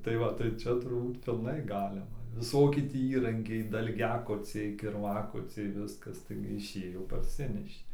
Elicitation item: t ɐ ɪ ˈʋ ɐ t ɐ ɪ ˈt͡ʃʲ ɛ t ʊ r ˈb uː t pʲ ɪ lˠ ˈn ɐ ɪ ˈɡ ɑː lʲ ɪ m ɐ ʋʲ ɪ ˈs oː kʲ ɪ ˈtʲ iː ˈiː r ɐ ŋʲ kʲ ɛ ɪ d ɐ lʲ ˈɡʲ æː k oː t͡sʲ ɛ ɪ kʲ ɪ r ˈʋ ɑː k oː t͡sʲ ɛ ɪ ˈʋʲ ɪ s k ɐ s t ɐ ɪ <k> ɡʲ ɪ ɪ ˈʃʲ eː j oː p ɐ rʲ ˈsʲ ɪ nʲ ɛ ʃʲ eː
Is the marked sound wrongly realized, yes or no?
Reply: yes